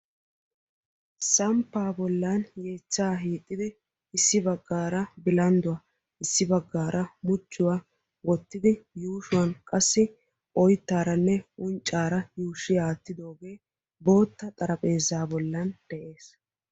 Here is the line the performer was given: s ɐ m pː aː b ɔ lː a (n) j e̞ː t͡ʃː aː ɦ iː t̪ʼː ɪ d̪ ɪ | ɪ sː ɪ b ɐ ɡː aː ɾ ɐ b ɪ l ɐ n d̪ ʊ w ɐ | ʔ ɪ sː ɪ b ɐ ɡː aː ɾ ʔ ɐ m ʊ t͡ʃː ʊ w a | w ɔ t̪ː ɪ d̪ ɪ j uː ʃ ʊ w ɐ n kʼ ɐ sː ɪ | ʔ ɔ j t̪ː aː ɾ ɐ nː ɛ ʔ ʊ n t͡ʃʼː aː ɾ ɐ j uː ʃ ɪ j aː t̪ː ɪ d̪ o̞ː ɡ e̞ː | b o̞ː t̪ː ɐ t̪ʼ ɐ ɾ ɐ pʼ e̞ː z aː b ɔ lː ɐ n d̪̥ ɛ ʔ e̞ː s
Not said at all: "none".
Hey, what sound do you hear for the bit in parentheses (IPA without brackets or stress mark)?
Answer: n